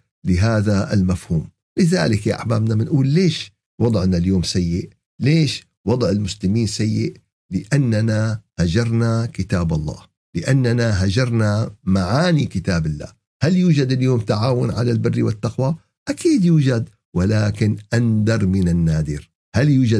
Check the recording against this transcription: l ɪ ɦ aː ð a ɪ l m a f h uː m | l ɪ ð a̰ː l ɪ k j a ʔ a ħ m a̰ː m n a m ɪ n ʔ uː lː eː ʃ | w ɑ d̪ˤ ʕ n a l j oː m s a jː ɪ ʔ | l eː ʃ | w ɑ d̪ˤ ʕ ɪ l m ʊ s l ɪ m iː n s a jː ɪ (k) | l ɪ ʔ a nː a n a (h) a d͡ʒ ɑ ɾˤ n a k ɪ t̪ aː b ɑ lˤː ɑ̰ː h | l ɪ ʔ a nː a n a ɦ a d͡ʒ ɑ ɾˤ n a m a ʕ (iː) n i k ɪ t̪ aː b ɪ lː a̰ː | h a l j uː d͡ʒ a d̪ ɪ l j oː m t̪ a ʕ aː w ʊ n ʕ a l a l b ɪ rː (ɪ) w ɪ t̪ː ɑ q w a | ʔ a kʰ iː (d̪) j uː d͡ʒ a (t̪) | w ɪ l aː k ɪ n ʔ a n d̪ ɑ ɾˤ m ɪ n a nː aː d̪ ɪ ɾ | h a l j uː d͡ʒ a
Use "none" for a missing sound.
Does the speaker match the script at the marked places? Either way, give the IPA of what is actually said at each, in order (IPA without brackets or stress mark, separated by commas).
ʔ, h, aː, i, d̪, d̪